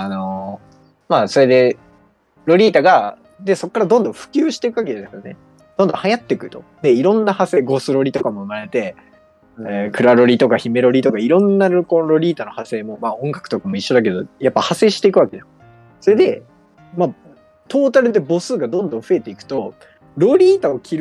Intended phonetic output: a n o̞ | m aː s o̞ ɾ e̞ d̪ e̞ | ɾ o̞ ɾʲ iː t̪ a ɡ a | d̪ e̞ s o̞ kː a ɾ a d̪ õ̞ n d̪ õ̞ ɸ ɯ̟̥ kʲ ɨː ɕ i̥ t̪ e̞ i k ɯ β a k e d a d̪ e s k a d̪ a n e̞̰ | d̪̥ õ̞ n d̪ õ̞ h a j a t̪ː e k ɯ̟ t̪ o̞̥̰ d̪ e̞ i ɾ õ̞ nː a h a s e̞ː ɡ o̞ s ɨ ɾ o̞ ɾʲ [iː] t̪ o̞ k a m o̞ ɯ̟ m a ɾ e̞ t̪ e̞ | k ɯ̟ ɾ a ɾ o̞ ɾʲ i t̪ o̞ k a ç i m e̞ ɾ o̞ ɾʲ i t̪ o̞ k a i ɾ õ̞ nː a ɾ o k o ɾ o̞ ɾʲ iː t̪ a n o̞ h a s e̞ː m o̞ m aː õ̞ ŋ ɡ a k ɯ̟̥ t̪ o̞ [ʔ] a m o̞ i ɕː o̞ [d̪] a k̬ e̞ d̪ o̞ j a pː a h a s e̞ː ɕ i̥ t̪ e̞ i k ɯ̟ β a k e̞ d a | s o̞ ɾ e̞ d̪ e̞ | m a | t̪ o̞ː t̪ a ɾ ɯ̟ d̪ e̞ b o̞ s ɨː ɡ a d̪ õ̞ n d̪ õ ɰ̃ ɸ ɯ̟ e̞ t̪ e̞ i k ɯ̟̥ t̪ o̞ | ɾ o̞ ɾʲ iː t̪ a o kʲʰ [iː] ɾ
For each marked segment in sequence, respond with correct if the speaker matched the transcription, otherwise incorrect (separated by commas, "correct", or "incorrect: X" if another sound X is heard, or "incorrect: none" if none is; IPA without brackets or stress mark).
incorrect: i, incorrect: k, correct, incorrect: i